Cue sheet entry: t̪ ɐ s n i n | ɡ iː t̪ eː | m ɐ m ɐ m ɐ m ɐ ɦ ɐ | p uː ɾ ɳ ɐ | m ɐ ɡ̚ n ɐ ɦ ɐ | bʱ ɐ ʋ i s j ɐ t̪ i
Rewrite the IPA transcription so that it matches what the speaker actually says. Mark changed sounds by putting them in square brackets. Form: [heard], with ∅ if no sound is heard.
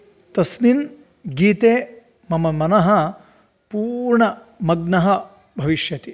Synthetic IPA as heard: t̪ ɐ s n i n | ɡ iː t̪ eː | m ɐ m ɐ m ɐ [n] ɐ ɦ ɐ | p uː ɾ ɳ ɐ | m ɐ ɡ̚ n ɐ ɦ ɐ | bʱ ɐ ʋ i [ʃ] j ɐ t̪ i